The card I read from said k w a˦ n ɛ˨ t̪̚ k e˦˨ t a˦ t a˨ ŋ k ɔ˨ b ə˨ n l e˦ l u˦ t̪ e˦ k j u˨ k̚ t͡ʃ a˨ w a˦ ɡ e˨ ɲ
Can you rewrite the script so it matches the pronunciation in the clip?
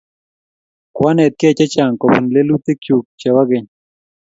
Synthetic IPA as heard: k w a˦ n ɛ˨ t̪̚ k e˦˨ t͡ʃ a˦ t͡ʃ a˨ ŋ k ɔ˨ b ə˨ n l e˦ l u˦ t̪ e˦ k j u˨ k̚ t͡ʃ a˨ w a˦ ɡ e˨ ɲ